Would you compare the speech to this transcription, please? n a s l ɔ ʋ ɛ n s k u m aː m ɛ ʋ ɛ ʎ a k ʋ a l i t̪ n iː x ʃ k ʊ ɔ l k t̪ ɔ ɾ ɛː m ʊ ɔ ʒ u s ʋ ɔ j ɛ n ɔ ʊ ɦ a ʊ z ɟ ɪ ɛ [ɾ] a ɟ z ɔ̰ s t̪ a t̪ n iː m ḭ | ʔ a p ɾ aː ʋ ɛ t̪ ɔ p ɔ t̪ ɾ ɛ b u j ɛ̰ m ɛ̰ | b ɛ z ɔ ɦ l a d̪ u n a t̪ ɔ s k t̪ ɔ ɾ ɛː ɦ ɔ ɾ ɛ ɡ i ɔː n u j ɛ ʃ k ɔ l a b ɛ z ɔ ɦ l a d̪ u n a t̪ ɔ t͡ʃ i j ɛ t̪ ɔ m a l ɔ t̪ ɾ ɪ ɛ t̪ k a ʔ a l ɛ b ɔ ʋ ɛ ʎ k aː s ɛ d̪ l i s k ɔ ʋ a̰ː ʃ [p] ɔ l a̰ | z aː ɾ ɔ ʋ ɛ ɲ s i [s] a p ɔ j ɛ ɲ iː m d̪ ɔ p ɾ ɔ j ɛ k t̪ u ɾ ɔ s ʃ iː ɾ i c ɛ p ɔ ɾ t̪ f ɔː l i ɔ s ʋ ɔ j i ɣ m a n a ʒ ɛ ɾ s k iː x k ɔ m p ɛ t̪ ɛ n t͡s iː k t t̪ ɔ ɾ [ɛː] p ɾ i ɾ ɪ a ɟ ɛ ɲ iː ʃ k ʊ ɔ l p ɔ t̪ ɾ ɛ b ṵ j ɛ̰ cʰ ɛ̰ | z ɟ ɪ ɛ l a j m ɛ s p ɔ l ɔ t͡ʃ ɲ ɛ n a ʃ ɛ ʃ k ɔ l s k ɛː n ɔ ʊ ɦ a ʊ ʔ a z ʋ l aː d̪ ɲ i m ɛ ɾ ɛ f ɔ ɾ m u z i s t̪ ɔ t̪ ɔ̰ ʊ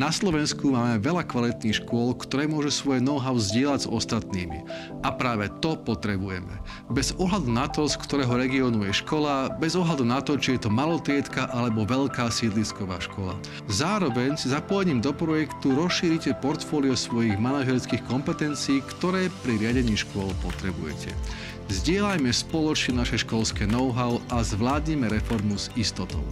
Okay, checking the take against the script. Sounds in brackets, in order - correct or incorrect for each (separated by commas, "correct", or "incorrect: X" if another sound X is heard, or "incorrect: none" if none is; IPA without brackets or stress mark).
incorrect: l, incorrect: k, incorrect: z, correct